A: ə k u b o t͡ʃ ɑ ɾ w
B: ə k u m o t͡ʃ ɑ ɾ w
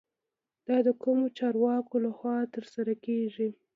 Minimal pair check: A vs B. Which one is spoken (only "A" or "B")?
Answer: B